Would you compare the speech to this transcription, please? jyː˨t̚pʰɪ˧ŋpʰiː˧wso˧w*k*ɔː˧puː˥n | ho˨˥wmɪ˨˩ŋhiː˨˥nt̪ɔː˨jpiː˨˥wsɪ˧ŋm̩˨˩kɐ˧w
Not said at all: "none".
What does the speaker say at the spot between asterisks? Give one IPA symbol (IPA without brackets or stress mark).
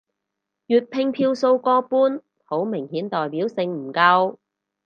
k